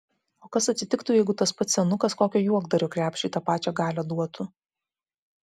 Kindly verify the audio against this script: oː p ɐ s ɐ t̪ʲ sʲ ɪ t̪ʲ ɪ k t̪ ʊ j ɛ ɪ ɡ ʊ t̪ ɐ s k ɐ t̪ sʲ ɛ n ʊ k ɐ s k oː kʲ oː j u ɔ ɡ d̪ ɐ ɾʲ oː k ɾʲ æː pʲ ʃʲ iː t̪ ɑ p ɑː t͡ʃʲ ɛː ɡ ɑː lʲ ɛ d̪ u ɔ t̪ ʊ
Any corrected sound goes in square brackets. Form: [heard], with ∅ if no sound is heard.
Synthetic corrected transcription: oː [k] ɐ s ɐ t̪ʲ sʲ ɪ t̪ʲ ɪ k t̪ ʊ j ɛ ɪ ɡ ʊ t̪ ɐ s [p] ɐ t̪ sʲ ɛ n ʊ k ɐ s k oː kʲ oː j u ɔ ɡ d̪ ɐ ɾʲ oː k ɾʲ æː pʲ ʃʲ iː t̪ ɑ p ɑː t͡ʃʲ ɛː ɡ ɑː lʲ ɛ d̪ u ɔ t̪ ʊ